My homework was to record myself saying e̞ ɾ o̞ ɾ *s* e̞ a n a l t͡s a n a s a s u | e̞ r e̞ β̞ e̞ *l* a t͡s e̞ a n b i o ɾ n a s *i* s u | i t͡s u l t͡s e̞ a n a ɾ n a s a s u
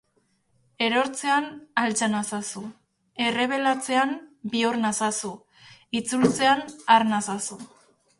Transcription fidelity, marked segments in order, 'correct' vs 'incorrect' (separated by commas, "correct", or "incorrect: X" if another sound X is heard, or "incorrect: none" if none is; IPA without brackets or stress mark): incorrect: t͡s, correct, incorrect: a